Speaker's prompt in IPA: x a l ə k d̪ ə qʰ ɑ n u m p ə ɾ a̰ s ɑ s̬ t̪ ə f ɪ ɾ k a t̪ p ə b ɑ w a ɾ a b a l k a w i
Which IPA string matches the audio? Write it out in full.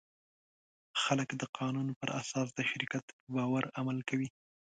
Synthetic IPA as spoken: x a l ə k d̪ ə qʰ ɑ n u n p ə ɾ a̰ s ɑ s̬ d̪ ə ʃ ɪ ɾ k a t̪ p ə b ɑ w a ɾ a m a l k a w i